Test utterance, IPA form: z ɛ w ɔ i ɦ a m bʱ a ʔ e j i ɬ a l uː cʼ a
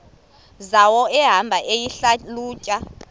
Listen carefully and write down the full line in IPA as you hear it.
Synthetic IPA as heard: z a w ɔ ɛ ɦ a m bʱ a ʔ e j i ɬ a l uː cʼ a